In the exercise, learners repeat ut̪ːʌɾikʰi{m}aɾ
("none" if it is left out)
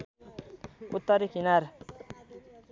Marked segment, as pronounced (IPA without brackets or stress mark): n